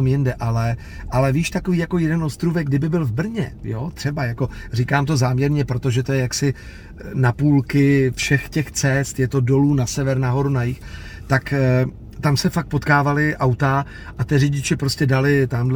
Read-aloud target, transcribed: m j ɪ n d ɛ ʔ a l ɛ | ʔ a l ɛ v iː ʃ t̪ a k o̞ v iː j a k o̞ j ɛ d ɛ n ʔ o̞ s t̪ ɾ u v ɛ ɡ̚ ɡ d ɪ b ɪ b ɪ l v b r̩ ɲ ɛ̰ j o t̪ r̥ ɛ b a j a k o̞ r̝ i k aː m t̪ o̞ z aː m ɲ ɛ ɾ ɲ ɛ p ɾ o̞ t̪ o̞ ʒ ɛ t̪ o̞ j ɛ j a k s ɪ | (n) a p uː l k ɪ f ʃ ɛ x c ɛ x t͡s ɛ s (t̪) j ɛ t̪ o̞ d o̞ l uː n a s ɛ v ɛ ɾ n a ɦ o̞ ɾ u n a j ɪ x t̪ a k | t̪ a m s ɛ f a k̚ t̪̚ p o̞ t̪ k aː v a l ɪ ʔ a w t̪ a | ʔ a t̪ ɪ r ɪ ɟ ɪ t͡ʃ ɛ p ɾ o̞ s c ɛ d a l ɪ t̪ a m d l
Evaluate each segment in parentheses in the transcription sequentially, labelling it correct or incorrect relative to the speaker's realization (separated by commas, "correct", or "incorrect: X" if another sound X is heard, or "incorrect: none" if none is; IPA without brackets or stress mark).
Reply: correct, correct